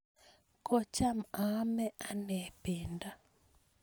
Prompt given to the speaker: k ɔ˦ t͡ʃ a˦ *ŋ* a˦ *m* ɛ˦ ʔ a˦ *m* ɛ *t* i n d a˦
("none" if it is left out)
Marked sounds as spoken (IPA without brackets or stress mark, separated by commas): m, m, n, p